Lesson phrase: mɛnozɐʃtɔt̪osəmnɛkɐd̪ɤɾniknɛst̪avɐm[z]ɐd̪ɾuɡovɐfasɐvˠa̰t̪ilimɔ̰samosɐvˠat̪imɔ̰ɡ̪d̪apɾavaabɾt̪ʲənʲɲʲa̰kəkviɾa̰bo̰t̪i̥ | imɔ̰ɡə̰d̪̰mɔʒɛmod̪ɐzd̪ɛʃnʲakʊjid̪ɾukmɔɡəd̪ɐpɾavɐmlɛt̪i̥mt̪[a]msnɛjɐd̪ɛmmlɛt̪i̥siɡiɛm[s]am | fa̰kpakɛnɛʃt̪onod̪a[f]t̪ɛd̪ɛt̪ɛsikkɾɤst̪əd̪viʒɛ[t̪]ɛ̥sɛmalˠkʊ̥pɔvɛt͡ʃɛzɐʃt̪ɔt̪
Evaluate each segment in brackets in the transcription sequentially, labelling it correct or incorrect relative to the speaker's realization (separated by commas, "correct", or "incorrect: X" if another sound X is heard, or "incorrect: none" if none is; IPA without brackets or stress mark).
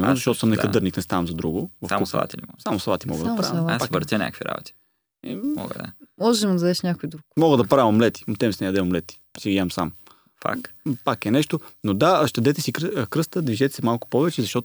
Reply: correct, incorrect: ɛ, correct, incorrect: ʃ, correct